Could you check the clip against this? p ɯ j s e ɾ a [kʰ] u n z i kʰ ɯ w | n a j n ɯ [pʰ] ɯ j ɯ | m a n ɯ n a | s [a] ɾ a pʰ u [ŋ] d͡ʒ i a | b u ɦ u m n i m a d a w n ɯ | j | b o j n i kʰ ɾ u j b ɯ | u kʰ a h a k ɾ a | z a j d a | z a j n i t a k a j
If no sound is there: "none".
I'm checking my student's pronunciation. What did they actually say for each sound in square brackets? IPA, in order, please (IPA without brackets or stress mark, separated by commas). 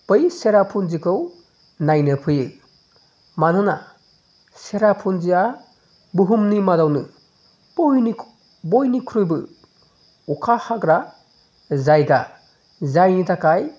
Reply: pʰ, pʰ, e, n